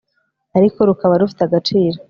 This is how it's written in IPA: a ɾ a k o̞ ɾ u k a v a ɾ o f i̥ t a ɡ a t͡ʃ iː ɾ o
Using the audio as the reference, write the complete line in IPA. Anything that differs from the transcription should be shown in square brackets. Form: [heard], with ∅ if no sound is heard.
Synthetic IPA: a ɾ [i] k o̞ ɾ u k a [β] a ɾ [u] f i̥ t a ɡ a t͡ʃ iː ɾ o

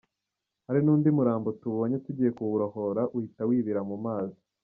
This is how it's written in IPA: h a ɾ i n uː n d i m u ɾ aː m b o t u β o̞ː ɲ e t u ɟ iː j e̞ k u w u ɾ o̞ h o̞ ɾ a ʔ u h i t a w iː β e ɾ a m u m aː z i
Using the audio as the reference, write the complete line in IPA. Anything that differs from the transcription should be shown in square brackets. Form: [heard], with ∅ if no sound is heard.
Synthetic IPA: h a ɾ i n uː n d i m u ɾ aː m b o t u β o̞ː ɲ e t u ɟ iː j e̞ k u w u ɾ o̞ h o̞ ɾ a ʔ u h i t a w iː β [i] ɾ a m u m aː z i

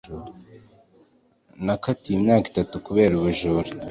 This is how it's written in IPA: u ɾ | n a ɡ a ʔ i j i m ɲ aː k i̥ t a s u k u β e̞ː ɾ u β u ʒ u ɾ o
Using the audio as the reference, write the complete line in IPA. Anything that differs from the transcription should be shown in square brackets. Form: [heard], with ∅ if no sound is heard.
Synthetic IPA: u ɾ | n a [k] a [t] i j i m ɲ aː k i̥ t a [t] u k u β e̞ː ɾ u β u ʒ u ɾ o

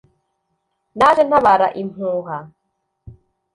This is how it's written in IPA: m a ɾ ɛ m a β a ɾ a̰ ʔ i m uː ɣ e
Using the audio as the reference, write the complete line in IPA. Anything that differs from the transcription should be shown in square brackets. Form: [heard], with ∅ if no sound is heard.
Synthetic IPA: [n] a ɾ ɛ [n] a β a ɾ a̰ ʔ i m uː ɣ [a]

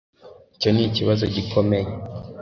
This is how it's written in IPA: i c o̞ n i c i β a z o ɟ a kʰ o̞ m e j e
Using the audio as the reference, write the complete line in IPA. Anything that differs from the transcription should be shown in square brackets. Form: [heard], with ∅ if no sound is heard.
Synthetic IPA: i c o̞ n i c i β a z o ɟ [i] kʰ o̞ m e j e

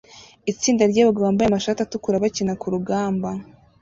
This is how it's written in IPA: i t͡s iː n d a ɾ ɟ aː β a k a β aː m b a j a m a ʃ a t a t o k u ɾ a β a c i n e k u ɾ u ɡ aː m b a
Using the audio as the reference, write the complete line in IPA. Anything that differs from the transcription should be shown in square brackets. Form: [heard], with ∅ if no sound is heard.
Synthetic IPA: i t͡s iː n d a ɾ ɟ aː β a [ɡ] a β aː m b a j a m a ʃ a t a t [u] k u ɾ a β a c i n [a] k u ɾ u ɡ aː m b a

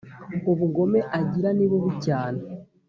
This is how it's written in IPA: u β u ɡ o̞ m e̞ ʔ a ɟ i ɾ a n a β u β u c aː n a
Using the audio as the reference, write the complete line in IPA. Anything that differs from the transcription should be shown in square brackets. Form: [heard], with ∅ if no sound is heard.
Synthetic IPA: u β u ɡ o̞ m e̞ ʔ a ɟ i ɾ a n [i] β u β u c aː n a

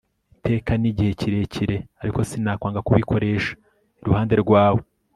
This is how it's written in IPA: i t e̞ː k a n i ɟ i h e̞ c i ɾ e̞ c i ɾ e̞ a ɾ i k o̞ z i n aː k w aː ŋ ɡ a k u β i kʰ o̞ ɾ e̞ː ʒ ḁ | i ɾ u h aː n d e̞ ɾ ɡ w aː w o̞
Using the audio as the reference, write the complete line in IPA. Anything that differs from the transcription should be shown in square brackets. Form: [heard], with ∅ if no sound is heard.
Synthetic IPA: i t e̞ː k a n i ɟ i h e̞ c i ɾ e̞ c i ɾ e̞ a ɾ i k o̞ [s] i n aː k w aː ŋ ɡ a k u β i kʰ o̞ ɾ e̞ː [ʃ] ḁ | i ɾ u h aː n d e̞ ɾ ɡ w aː w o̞

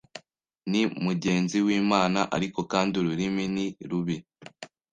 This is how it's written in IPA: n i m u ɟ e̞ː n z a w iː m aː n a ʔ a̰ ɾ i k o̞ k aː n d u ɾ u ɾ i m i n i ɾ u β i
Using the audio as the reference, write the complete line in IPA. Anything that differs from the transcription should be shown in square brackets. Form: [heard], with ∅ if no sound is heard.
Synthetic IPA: n i m u ɟ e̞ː n z [i] w iː m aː n a ʔ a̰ ɾ i k o̞ k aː n d u ɾ u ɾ i m i n i ɾ u β i

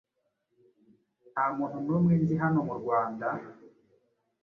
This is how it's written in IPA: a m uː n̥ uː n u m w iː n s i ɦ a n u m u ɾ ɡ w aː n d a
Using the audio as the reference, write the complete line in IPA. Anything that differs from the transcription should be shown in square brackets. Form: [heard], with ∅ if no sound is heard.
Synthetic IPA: a m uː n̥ [u] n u m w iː n [z] i ɦ a n [o] m u ɾ ɡ w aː n d a

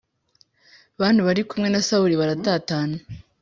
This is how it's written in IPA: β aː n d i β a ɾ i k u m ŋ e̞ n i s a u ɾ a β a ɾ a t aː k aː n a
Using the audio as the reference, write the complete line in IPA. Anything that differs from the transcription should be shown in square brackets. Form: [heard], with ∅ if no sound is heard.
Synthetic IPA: β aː n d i β a ɾ i k u m ŋ e̞ n [a] s a u ɾ [i] β a ɾ a t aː [t] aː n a

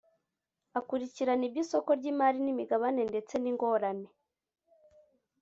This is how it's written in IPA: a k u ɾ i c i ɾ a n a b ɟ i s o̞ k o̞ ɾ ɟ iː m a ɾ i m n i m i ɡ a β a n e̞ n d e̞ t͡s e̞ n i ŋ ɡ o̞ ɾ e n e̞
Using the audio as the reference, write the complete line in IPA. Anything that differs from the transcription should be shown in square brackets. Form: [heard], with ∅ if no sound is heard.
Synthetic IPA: a k u ɾ i c i ɾ a n [i] b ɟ i s o̞ k o̞ ɾ ɟ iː m a ɾ i [∅] n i m i ɡ a β a n e̞ n d e̞ t͡s e̞ n i ŋ ɡ o̞ ɾ [a] n e̞

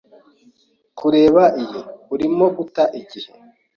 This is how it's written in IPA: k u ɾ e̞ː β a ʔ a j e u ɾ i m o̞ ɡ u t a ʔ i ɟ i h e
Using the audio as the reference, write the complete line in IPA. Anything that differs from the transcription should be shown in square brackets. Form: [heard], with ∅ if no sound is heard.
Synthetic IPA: k u ɾ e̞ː β a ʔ [i] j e u ɾ i m o̞ ɡ u t a ʔ i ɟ i h e

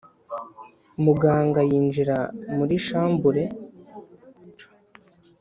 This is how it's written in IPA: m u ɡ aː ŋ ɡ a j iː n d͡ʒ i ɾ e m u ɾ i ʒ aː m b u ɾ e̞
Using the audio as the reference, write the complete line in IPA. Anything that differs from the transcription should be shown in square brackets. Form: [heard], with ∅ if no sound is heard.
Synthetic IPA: m u ɡ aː ŋ ɡ a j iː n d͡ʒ i ɾ [a] m u ɾ i [ʃ] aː m b u ɾ e̞

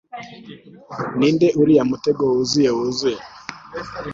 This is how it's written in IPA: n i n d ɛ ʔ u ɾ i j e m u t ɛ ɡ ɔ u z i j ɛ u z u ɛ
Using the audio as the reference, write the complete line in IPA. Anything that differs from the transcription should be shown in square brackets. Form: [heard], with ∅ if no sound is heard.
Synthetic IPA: n i n d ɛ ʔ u ɾ i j [a] m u t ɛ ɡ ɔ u z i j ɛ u z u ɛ

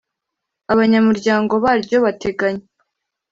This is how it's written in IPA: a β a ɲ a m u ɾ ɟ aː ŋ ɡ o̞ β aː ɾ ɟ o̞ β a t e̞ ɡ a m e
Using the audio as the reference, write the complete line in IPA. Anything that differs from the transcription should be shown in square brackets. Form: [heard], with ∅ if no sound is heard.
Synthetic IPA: a β a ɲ a m u ɾ ɟ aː ŋ ɡ o̞ β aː ɾ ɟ o̞ β a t e̞ ɡ a [ɲ] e

